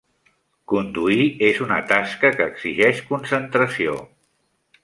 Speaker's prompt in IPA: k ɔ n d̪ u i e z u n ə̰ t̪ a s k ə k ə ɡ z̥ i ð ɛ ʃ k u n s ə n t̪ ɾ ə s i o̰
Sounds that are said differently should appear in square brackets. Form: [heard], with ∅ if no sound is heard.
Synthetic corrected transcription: k [u] n d̪ u i e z u n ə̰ t̪ a s k ə k [əː] ɡ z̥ i [ʒ] ɛ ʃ k u n s ə n t̪ ɾ ə s i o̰